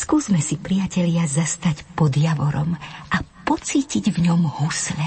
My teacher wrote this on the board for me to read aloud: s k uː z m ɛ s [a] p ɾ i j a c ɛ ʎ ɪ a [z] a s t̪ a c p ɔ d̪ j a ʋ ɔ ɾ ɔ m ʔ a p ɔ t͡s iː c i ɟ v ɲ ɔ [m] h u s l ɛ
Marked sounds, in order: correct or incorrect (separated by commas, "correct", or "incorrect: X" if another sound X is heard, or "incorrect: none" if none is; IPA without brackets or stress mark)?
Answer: incorrect: i, correct, correct